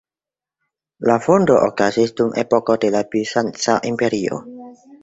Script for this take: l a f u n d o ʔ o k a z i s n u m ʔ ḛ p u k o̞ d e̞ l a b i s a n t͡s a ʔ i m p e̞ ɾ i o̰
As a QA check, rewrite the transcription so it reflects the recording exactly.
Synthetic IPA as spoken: l a f o n d o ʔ o k a z i s d u m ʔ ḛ p o k o̞ d e̞ l a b i s a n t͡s a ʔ i m p e̞ ɾ i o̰